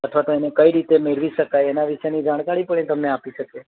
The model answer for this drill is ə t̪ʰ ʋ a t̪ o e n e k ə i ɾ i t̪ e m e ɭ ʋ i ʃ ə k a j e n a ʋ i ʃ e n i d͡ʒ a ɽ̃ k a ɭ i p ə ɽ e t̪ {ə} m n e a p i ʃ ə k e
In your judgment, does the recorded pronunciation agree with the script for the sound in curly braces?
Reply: yes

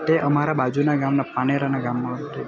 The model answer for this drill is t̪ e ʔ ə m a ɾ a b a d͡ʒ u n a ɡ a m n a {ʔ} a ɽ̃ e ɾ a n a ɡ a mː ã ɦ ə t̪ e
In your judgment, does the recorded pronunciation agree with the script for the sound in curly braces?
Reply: no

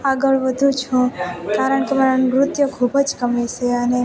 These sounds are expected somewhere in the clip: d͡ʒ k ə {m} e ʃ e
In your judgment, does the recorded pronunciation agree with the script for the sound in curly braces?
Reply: yes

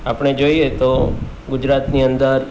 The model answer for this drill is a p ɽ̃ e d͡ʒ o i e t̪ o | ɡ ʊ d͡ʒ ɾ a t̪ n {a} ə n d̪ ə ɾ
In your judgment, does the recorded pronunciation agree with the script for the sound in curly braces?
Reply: no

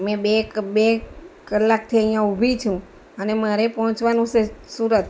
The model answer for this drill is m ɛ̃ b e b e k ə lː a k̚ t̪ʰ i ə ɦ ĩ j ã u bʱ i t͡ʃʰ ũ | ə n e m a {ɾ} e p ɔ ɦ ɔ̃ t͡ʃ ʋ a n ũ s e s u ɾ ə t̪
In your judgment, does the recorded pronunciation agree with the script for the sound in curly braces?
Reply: yes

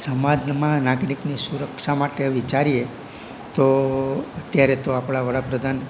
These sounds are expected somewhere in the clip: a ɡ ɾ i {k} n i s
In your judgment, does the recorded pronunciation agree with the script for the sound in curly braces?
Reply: yes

